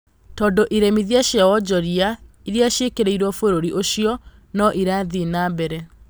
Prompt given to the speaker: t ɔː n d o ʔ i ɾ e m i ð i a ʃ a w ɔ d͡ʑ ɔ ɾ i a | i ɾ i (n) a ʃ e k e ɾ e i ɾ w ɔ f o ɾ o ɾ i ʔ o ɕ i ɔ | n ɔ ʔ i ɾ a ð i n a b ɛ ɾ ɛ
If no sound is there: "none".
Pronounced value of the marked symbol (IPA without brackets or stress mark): none